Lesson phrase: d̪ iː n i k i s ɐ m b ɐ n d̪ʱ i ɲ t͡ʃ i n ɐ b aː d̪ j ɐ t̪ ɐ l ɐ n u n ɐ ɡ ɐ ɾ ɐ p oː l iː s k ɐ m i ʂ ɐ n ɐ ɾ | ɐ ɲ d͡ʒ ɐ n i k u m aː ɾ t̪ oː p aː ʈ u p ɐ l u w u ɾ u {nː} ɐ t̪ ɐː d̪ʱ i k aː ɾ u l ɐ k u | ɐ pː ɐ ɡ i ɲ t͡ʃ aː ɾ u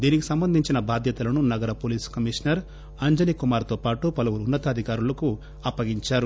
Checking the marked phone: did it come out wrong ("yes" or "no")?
no